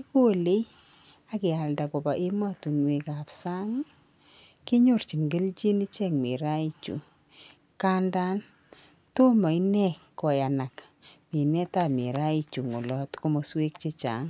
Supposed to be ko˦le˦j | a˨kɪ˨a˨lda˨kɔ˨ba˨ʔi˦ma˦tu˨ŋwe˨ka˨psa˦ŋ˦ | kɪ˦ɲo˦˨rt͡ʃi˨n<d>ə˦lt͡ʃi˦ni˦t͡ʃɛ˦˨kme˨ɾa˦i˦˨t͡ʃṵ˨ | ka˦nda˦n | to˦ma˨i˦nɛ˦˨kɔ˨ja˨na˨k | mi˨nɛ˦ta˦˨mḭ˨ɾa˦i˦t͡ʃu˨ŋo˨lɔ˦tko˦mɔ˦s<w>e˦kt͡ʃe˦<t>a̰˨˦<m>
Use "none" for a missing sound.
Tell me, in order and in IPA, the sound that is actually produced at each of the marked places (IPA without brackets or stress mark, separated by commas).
ɡ, w, t͡ʃ, ŋ